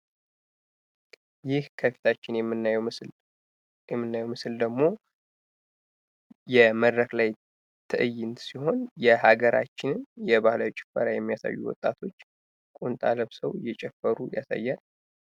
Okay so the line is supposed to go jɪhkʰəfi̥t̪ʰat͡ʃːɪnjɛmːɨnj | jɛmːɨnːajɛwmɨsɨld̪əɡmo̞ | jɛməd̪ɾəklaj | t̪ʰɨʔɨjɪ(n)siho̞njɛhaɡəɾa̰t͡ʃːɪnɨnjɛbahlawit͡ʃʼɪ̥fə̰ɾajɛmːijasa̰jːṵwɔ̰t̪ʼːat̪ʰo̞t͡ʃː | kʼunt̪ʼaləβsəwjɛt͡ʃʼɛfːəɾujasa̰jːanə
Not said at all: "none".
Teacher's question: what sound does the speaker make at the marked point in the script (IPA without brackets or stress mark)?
n